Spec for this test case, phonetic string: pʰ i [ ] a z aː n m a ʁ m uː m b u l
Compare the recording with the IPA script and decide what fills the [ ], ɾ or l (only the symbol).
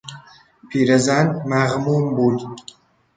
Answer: ɾ